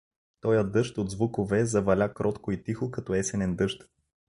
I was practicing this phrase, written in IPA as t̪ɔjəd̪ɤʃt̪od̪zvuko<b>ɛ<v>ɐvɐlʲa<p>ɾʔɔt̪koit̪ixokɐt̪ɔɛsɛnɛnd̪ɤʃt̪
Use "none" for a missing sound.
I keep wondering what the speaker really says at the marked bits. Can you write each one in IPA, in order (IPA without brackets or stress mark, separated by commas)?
v, z, k